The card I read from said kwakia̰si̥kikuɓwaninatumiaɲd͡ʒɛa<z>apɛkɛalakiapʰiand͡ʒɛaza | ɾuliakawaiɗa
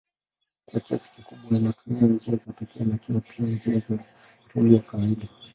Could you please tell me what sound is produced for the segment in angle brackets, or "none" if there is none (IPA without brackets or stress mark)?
z